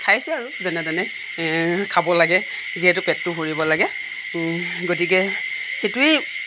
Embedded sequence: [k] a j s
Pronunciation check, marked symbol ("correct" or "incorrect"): incorrect